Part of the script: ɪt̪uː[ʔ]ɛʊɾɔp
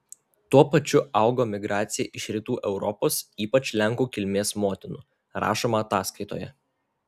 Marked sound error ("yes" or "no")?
no